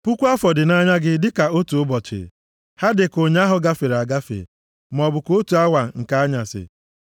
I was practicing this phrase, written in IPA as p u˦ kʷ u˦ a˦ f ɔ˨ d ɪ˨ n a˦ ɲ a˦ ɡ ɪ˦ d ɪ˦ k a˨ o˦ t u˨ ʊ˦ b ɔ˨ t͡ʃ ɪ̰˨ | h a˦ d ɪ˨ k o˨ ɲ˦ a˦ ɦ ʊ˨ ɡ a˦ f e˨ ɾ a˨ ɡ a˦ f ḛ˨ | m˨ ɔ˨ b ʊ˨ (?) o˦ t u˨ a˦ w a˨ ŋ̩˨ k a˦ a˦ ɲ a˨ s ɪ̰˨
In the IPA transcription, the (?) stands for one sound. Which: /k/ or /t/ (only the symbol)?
k